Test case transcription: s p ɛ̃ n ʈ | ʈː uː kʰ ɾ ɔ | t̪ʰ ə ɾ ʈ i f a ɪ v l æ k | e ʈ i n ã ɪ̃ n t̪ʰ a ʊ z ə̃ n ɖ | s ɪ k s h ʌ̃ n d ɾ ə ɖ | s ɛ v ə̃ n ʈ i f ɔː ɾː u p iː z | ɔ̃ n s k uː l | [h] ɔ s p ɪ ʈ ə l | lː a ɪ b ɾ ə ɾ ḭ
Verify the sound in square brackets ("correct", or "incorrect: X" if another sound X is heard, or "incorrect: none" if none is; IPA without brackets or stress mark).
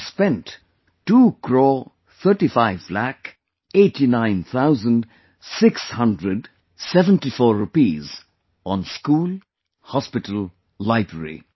correct